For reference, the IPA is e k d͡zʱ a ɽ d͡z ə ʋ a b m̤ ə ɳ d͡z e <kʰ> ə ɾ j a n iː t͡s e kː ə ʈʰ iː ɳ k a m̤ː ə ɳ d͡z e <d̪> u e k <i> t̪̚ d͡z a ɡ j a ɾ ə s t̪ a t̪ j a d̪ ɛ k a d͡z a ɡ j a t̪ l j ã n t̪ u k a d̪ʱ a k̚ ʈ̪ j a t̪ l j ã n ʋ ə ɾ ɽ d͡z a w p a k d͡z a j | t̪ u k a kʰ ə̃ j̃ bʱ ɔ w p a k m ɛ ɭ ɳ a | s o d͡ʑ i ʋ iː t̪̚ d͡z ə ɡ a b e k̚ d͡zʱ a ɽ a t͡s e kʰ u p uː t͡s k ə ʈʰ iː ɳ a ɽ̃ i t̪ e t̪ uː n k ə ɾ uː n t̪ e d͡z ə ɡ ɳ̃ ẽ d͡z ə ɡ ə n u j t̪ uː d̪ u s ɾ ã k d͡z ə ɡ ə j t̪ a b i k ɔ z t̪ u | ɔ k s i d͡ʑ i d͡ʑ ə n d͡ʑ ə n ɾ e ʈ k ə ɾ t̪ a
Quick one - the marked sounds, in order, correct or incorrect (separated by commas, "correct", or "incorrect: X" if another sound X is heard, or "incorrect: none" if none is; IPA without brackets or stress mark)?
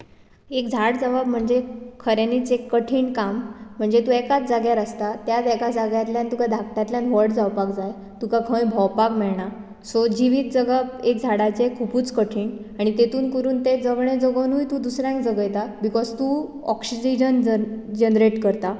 correct, incorrect: t̪, incorrect: a